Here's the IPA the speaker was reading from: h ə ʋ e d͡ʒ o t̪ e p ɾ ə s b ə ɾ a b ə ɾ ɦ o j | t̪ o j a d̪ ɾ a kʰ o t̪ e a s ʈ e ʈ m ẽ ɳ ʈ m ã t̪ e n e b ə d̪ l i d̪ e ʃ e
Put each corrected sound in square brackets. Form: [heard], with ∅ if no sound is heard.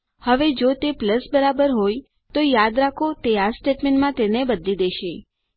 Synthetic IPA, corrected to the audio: h ə ʋ e d͡ʒ o t̪ e p [l] ə s b ə ɾ a b ə ɾ ɦ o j | t̪ o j a d̪ ɾ a kʰ o t̪ e a s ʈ e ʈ m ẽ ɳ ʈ m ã t̪ e n e b ə d̪ l i d̪ e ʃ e